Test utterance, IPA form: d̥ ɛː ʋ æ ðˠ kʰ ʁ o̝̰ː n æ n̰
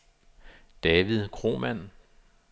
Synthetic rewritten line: d̥ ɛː ʋ i ðˠ kʰ ʁ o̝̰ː m æ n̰